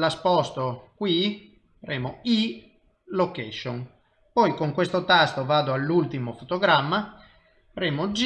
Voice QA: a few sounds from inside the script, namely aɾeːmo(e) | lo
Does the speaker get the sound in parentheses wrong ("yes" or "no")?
yes